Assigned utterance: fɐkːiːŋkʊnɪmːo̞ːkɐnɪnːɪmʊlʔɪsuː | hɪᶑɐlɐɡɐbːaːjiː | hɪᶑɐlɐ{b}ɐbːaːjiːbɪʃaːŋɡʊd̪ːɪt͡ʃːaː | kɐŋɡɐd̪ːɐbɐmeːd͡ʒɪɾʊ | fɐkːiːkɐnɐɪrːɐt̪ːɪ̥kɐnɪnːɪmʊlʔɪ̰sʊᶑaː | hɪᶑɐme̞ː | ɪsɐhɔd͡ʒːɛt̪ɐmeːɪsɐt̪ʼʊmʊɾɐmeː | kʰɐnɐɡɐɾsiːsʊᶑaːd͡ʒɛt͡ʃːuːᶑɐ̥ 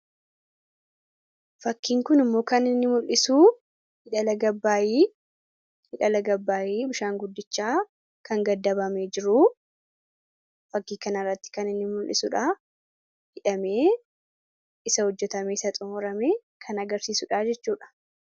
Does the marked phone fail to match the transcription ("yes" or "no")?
yes